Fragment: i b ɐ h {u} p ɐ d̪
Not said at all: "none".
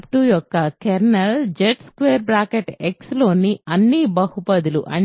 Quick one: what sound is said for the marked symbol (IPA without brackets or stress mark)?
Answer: u